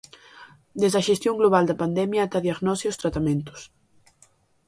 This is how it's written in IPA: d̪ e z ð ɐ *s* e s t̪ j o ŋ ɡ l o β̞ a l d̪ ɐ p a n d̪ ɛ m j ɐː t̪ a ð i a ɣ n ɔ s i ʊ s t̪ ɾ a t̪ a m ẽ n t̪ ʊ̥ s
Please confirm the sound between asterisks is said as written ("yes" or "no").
no